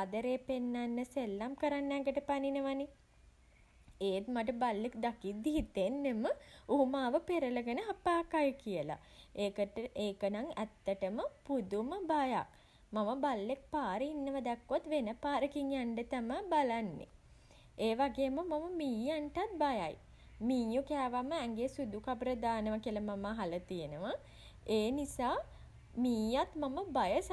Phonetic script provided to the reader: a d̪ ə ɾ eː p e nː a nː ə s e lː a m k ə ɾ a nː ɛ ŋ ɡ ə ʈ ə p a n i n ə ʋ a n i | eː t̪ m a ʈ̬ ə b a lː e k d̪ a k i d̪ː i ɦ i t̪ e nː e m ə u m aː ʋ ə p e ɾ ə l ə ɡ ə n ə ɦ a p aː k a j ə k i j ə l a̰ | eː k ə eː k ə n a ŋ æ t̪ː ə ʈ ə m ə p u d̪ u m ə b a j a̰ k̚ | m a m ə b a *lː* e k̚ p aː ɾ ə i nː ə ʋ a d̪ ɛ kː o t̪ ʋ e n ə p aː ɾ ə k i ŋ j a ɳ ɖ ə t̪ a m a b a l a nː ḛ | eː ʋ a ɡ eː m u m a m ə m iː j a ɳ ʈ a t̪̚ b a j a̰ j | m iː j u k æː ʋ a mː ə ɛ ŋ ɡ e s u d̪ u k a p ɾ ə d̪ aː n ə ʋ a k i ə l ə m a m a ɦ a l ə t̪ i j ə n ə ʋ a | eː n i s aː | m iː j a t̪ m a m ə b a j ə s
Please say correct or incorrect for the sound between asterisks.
correct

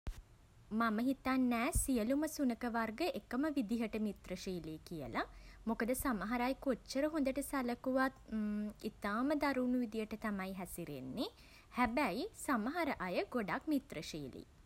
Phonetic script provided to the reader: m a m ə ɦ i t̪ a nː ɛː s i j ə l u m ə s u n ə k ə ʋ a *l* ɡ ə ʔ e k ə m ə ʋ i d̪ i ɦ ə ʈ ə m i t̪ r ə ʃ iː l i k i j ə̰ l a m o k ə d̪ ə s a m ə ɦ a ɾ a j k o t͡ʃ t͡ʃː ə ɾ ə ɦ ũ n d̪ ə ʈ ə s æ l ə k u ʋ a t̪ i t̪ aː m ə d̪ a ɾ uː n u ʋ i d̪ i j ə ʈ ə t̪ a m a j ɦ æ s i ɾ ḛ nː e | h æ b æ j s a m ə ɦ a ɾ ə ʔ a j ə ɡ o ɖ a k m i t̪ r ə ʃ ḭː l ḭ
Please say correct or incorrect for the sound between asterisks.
incorrect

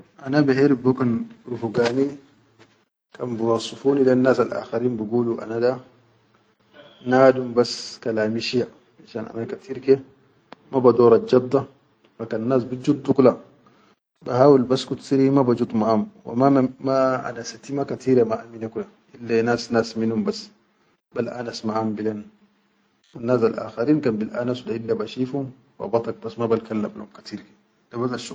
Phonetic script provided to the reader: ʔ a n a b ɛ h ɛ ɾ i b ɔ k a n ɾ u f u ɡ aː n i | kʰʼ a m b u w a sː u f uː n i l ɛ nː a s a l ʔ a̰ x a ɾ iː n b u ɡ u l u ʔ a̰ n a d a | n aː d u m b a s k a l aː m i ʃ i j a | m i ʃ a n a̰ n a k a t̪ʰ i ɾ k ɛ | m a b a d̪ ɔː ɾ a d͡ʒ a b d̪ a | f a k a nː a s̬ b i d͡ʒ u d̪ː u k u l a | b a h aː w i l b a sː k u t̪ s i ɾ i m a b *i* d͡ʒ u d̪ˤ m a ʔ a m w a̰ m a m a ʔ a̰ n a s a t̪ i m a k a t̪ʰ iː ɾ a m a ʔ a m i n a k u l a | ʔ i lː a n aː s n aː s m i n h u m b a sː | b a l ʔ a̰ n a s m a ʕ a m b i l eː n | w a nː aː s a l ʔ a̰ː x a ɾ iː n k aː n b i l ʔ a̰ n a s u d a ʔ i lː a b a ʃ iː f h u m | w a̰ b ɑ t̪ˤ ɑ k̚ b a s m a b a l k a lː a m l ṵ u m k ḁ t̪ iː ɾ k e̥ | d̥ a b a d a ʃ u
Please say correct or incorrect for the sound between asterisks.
incorrect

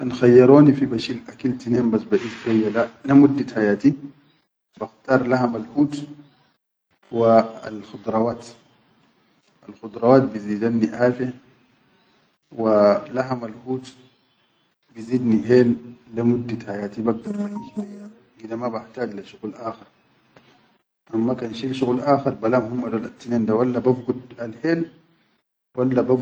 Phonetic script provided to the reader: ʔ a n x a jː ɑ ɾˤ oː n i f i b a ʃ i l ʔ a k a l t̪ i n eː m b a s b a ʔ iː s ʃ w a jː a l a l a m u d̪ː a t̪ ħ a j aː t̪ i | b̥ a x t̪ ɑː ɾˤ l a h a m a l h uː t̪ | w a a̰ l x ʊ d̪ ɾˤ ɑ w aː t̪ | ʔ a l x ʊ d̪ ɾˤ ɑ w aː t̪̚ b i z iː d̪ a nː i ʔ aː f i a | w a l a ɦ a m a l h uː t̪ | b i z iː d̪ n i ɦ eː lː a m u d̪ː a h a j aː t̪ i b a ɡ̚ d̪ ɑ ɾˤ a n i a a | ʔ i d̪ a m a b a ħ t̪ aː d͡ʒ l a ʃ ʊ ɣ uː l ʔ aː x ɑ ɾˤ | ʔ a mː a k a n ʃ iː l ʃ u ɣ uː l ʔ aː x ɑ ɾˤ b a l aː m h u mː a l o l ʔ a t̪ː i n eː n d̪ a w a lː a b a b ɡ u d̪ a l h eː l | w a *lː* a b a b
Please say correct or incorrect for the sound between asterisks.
correct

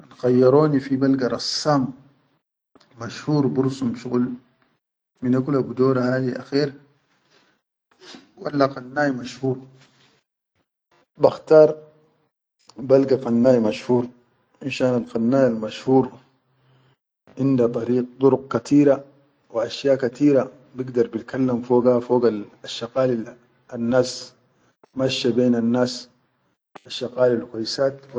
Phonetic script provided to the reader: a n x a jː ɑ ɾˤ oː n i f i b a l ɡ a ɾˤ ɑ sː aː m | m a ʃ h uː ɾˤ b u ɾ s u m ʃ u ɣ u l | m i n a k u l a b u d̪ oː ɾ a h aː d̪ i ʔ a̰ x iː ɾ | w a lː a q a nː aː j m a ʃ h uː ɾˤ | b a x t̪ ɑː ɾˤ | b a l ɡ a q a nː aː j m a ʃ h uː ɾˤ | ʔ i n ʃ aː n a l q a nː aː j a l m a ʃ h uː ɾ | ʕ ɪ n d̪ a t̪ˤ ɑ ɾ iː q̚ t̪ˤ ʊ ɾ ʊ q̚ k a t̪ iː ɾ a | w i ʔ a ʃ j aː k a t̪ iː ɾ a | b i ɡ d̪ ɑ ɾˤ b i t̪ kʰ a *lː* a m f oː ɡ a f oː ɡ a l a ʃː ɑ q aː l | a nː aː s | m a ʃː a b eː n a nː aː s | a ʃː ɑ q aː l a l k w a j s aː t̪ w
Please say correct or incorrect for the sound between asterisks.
correct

